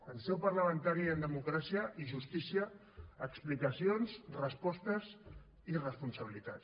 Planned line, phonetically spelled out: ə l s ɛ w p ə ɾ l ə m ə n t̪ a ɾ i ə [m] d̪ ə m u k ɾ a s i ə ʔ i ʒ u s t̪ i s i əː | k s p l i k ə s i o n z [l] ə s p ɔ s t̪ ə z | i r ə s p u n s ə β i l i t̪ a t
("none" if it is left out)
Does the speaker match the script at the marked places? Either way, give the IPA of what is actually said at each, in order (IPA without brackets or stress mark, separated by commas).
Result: n, r